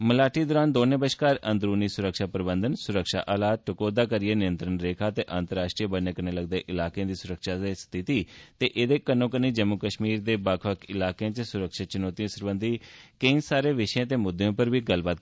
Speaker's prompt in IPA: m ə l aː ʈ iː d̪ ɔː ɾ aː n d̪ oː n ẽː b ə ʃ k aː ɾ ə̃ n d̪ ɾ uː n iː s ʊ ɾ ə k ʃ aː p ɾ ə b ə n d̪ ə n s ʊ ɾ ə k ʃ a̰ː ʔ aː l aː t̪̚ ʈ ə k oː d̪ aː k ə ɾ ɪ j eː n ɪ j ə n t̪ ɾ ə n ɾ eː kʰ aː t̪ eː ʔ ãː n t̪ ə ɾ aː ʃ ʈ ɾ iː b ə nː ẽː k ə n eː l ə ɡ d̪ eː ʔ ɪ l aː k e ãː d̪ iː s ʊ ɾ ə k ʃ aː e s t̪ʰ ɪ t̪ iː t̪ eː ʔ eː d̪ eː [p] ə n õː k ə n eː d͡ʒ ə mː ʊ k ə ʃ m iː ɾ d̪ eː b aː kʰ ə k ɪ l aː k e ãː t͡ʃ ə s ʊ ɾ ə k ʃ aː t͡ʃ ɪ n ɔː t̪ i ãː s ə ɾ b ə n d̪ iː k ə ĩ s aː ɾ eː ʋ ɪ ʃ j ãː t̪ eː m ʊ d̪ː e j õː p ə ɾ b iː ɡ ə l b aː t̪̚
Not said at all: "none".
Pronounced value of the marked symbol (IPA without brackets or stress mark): k